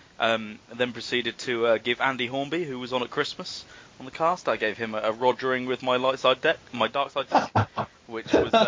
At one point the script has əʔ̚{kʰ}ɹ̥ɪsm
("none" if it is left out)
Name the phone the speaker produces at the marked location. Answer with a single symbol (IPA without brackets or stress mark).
kʰ